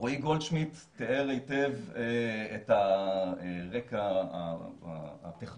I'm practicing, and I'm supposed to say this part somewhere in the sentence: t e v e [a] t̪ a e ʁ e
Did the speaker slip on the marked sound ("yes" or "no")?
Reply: yes